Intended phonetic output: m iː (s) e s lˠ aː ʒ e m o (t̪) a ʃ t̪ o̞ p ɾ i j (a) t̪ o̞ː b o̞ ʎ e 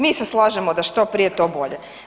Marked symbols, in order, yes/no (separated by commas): yes, no, no